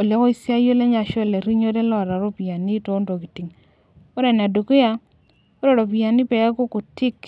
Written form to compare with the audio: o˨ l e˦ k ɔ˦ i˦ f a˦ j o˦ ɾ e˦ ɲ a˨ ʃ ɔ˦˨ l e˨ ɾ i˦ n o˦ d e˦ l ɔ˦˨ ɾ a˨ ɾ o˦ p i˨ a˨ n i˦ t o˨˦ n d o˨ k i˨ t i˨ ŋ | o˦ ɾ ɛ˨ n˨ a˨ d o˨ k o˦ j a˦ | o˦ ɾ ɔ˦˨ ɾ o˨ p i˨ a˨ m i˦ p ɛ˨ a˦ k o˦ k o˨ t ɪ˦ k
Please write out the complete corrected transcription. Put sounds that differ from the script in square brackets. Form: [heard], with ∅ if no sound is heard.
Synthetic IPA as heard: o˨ l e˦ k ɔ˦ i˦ [s] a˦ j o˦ [l] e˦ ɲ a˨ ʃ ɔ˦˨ l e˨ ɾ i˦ [ɲ] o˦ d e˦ l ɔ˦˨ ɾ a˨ ɾ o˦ p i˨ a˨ n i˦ t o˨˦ n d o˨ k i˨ t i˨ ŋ | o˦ ɾ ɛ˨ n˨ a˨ d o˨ k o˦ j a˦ | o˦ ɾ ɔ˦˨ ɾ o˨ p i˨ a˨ [n] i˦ p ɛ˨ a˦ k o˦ k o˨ t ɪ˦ k